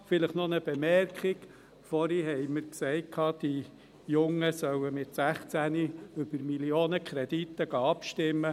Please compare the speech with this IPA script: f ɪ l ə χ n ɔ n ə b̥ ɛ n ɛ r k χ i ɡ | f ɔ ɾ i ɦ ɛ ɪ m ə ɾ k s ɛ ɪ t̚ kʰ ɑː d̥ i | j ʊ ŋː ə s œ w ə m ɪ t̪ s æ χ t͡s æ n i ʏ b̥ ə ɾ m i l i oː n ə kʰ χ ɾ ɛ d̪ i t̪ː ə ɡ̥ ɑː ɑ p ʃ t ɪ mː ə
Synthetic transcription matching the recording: f ɪ l ə χ n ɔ n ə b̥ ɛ m ɛ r k χ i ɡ | f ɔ ɾ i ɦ ɛ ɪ m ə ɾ k s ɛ ɪ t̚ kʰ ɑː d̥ i | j ʊ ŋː ə s œ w ə m ɪ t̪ s æ χ t͡s æ n i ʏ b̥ ə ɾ m i l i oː n ə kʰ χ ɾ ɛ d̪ i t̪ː ə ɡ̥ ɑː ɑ p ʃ t ɪ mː ə